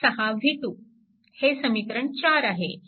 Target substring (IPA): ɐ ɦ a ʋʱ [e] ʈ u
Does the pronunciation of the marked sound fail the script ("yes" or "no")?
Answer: yes